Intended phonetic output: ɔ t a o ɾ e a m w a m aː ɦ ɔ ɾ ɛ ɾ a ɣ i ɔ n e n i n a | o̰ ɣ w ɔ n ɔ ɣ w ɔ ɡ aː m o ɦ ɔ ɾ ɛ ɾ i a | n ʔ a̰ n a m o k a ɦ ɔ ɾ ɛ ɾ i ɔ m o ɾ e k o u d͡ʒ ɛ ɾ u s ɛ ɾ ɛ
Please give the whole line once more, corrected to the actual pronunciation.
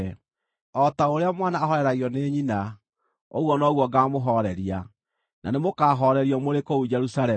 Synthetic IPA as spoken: ɔ t a o ɾ e a m w a n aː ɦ ɔ ɾ ɛ ɾ a ɣ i ɔ n e ɲ i n a | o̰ ɣ w ɔ n ɔ ɣ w ɔ ɡ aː m o ɦ ɔ ɾ ɛ ɾ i a | n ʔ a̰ n e m o k a ɦ ɔ ɾ ɛ ɾ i ɔ m o ɾ e k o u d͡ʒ ɛ ɾ u s a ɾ ɛ